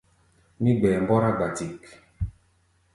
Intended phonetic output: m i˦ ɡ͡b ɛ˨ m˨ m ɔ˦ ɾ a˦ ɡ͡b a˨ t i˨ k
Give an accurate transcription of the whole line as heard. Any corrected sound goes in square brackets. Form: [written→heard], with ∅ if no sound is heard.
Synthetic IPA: m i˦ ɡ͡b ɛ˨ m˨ [m→b] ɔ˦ ɾ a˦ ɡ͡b a˨ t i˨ k

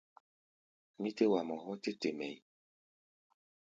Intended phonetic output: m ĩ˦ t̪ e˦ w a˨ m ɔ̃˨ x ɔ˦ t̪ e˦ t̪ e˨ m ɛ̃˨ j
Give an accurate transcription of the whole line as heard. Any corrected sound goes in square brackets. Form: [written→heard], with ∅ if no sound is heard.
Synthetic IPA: m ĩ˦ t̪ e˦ w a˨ m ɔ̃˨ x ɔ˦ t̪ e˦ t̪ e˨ m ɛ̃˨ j

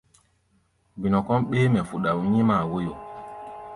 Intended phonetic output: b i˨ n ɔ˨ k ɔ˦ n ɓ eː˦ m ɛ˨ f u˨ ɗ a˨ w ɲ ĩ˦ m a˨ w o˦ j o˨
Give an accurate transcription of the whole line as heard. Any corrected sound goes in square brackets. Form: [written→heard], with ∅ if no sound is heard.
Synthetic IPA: b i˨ n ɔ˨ k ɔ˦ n ɓ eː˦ m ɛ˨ f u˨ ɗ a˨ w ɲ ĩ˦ m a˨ w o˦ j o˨

